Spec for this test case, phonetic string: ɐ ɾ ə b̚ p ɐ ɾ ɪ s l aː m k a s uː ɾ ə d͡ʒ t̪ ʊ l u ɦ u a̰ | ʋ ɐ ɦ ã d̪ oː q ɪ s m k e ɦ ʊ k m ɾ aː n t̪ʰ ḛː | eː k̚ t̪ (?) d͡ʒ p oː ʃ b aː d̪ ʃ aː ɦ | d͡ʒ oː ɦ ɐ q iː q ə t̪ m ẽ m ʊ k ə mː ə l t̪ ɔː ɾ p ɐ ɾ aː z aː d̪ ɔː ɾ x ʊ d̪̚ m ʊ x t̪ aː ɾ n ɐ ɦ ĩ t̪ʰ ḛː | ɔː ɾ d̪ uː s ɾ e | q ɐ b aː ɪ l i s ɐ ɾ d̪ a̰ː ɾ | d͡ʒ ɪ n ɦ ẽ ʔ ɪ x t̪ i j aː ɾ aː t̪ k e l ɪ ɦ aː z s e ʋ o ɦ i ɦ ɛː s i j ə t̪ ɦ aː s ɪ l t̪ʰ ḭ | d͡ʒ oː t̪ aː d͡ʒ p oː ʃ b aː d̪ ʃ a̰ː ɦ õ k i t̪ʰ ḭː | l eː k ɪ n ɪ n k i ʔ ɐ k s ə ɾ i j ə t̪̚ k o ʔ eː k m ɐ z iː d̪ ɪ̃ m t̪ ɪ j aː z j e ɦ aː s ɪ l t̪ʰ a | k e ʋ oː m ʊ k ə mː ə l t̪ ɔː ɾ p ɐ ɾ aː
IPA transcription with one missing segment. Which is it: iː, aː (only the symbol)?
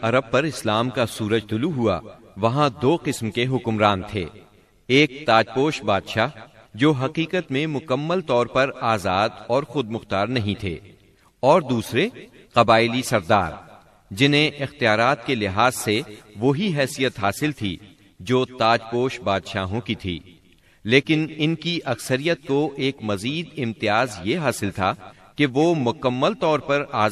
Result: aː